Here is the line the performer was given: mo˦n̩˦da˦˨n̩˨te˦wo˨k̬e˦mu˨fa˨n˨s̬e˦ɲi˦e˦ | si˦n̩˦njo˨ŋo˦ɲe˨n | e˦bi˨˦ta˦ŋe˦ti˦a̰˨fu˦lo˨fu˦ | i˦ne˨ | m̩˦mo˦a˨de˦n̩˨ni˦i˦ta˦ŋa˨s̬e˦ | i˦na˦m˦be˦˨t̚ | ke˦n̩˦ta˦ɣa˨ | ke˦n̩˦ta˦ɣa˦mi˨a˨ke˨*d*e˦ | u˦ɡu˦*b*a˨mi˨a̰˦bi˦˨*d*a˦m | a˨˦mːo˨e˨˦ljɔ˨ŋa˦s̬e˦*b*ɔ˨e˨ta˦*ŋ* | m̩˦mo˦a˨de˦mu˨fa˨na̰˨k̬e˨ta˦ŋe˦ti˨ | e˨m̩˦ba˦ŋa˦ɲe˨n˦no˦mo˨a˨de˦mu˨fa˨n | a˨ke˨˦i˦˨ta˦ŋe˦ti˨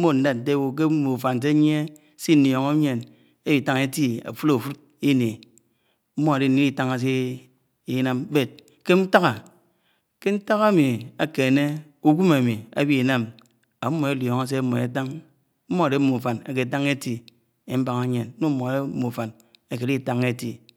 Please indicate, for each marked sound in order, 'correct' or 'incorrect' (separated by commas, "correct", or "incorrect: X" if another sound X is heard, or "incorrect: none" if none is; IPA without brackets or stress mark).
incorrect: n, incorrect: m, incorrect: n, incorrect: m, correct